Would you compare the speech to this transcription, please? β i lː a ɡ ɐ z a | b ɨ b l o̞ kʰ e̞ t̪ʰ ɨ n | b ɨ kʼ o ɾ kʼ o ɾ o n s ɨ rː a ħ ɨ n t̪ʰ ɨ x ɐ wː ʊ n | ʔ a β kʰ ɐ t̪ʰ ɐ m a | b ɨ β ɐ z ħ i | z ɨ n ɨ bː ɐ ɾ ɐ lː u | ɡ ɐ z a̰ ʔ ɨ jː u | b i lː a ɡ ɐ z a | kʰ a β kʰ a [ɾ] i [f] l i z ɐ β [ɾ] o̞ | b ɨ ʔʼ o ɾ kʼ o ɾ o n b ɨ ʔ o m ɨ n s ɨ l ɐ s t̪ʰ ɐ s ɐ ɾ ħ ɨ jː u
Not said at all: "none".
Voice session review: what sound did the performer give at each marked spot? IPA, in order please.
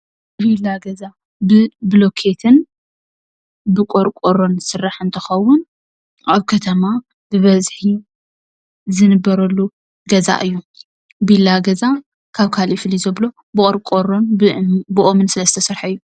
l, f, l

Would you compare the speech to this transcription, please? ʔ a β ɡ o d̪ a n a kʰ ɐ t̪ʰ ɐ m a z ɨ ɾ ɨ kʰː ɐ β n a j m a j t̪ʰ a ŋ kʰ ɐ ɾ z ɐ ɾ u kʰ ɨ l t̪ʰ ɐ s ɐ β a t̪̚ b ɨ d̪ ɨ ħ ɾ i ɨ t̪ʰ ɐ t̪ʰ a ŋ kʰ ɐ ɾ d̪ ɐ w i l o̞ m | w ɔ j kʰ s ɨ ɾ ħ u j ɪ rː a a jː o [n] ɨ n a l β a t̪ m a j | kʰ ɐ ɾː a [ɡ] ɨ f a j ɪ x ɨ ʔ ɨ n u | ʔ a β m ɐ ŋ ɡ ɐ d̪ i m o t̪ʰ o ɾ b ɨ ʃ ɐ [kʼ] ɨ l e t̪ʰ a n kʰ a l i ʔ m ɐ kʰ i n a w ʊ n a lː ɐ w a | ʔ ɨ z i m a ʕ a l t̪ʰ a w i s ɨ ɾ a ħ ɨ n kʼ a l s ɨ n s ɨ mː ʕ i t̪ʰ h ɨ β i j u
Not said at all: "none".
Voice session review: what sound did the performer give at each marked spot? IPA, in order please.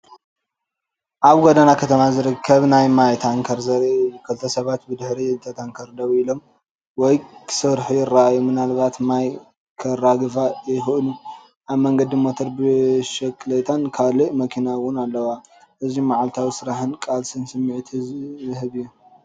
m, ɡ, kʼ

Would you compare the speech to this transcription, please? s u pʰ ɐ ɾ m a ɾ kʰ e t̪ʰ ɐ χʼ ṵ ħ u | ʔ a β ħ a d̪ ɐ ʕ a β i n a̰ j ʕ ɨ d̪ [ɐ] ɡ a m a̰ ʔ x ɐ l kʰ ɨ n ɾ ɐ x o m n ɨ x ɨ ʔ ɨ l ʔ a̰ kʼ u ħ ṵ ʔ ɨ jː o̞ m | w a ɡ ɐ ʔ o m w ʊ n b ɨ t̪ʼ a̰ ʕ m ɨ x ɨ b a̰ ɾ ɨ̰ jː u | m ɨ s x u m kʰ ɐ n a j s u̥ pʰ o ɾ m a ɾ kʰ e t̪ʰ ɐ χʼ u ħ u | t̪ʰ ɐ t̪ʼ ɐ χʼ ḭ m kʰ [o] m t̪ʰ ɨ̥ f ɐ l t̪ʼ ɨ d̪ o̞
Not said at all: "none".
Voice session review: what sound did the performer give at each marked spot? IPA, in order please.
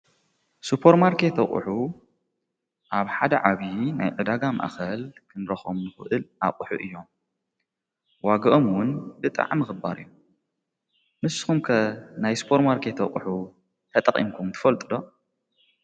a, u

